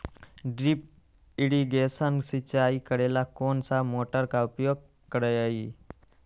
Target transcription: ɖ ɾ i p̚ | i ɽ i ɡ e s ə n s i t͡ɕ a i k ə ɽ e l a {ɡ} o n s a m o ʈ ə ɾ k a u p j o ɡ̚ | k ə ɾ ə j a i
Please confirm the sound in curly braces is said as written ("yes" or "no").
no